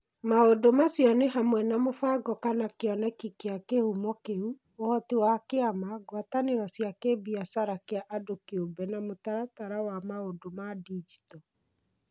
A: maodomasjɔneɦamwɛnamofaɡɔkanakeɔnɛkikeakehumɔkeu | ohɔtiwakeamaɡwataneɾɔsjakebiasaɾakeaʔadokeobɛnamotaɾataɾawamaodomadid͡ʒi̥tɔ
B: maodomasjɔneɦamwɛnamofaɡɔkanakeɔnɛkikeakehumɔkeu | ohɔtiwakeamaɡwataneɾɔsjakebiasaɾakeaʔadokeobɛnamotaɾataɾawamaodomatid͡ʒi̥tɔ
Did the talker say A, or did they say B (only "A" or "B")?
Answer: A